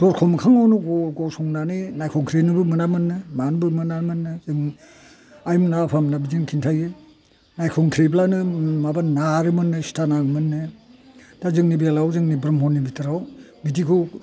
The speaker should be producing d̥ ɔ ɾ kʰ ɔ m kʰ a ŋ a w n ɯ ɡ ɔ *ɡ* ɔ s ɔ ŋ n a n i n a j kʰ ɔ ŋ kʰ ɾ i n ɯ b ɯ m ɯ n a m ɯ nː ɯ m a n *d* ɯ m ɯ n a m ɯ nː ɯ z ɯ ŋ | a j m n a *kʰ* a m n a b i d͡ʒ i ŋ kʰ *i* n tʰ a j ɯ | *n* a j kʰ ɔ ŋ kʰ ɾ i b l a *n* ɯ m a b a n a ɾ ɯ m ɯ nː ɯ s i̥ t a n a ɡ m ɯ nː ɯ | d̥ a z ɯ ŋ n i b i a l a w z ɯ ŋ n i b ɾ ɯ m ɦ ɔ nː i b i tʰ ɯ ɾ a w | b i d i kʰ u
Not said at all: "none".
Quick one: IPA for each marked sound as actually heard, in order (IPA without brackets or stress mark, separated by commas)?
ɡ, b, pʰ, i, n, n